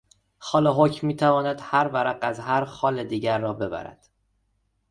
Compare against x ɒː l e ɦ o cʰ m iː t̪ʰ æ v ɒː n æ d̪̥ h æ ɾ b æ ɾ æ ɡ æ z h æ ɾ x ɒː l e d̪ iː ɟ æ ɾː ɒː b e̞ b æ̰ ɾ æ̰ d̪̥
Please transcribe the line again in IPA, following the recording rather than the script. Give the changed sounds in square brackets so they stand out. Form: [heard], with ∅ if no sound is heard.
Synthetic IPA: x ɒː l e ɦ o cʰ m iː t̪ʰ æ v ɒː n æ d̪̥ h æ ɾ [v] æ ɾ æ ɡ æ z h æ ɾ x ɒː l e d̪ iː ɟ æ ɾː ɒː b e̞ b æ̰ ɾ æ̰ d̪̥